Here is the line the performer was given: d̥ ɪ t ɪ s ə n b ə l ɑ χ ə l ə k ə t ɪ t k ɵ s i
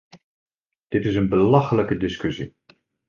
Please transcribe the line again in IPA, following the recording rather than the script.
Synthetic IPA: d̥ ɪ t ɪ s ə n b ə l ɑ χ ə l ə k ə d ɪ s k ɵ s i